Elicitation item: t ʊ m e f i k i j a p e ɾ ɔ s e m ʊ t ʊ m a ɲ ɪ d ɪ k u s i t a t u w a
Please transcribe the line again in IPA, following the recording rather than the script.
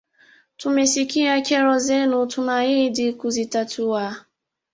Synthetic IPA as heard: t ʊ m e s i k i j a k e ɾ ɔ z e n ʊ t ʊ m a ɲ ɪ d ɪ k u z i t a t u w a